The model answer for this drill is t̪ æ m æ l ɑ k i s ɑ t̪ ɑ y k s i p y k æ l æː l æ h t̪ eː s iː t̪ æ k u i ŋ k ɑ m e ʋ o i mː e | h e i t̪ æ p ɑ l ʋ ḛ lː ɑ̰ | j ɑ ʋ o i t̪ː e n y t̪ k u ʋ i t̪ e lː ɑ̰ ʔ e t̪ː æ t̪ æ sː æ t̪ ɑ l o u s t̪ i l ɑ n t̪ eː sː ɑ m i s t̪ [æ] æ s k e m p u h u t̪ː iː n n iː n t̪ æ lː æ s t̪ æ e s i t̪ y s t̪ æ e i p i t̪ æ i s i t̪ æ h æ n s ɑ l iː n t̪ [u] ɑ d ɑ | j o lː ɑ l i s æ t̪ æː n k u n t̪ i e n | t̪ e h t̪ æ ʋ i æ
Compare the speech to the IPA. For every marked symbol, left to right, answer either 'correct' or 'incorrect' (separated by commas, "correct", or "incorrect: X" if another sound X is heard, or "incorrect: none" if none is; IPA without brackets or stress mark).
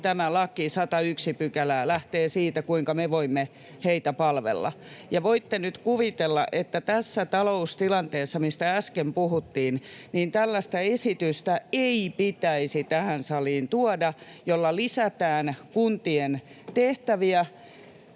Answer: correct, correct